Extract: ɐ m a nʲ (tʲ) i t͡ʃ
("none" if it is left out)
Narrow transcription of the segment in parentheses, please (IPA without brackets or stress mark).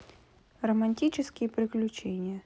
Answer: tʲ